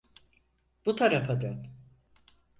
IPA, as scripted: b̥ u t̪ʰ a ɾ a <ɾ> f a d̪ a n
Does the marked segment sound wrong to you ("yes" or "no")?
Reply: yes